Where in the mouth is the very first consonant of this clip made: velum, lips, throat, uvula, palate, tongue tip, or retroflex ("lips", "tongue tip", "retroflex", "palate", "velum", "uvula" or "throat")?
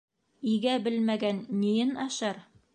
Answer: velum